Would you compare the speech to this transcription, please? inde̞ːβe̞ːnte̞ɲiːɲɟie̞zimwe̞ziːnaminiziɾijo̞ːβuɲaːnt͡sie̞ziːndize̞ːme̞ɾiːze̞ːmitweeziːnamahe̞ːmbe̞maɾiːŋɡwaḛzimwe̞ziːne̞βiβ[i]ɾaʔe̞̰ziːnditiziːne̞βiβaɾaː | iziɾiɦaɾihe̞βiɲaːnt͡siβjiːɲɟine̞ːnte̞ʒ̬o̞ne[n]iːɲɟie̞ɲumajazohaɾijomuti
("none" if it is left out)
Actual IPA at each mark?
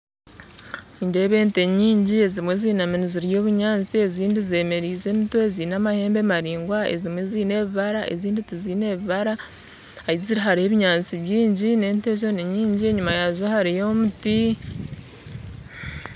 a, ɲ

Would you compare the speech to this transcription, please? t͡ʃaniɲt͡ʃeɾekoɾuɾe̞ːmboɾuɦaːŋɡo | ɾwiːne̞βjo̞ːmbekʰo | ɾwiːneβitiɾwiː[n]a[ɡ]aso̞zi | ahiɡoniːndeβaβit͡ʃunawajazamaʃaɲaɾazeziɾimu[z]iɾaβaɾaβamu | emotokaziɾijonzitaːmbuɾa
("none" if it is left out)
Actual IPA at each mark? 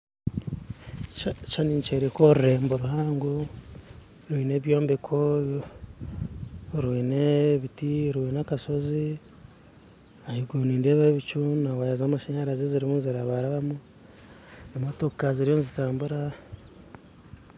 n, k, z

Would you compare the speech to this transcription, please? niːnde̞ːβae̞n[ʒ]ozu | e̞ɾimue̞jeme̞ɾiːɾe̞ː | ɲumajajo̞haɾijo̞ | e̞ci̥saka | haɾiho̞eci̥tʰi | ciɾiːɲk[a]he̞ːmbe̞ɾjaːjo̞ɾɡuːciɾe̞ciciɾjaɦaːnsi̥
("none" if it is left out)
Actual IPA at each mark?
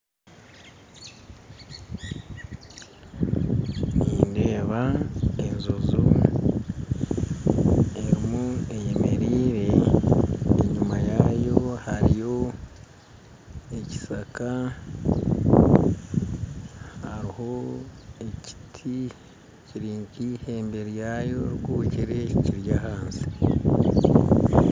z, i

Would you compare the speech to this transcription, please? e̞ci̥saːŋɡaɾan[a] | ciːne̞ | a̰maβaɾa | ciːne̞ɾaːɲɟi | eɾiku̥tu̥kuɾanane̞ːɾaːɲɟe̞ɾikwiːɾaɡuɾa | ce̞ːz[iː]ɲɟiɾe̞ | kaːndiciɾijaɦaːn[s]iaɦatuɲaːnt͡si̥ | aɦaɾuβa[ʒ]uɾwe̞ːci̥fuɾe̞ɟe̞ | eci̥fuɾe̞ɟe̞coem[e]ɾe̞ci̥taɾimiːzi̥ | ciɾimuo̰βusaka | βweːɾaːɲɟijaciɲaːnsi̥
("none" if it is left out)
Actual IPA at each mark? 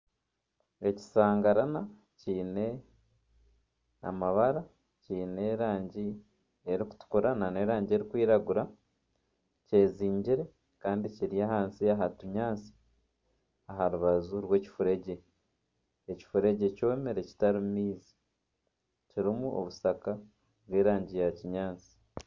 a, iː, s, z, e

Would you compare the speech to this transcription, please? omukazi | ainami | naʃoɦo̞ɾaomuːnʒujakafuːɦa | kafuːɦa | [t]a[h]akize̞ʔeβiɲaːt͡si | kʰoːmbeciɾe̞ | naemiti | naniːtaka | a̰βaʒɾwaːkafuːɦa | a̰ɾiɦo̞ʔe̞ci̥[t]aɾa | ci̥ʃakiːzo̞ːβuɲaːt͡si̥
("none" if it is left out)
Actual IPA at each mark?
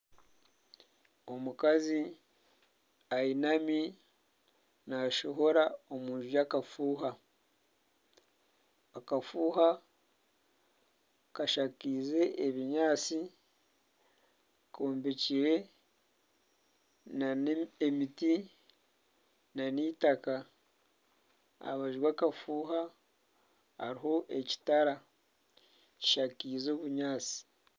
k, ʃ, t

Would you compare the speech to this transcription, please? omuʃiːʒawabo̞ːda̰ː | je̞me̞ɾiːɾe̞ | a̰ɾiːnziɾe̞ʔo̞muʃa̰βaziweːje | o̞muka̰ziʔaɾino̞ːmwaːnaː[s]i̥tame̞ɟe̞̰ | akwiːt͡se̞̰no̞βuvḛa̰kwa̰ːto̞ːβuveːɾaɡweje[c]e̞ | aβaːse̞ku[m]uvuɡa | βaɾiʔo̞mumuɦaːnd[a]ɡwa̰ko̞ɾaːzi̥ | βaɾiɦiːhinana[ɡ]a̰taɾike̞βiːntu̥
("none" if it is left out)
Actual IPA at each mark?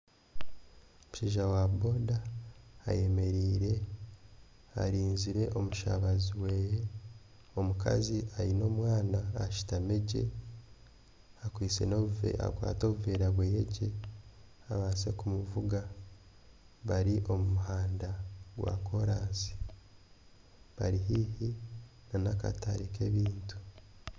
ʃ, ɟ, m, a, k

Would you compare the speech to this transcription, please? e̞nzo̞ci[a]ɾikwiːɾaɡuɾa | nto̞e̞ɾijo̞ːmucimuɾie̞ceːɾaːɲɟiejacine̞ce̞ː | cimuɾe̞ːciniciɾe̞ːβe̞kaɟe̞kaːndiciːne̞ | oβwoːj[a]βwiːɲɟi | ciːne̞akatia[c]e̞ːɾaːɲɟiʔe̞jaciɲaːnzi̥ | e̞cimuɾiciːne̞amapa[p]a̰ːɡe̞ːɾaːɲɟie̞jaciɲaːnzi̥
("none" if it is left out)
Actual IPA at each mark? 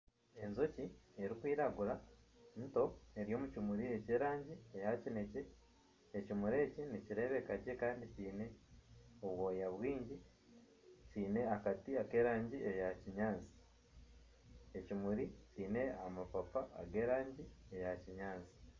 e, a, k, p

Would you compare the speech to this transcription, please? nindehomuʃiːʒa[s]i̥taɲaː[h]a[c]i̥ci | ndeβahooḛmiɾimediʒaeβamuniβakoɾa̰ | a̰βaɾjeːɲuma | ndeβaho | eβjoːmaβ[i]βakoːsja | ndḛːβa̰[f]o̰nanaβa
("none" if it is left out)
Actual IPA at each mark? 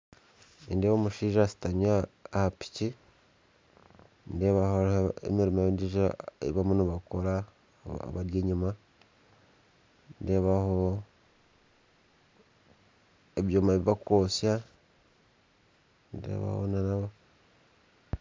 s, h, p, i, h

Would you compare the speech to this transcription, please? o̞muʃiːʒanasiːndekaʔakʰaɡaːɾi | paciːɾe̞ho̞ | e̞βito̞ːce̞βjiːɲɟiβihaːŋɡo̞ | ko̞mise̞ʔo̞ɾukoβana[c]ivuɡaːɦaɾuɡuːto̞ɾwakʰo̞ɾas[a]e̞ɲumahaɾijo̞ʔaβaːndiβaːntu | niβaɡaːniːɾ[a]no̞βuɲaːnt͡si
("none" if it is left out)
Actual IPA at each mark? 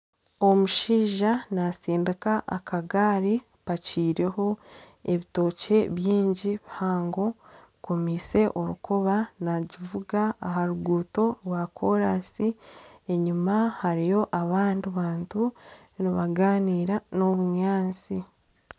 ɟ, i, a

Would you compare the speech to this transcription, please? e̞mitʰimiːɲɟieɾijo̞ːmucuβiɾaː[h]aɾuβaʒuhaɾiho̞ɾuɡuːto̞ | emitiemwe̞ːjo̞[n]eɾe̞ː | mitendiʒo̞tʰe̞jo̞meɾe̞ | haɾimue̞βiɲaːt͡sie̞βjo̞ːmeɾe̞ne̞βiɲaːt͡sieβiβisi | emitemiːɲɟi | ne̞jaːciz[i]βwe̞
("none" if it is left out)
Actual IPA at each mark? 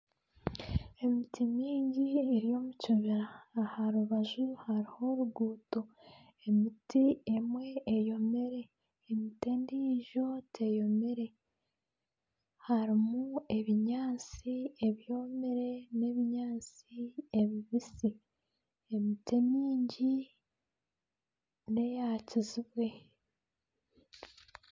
h, m, i

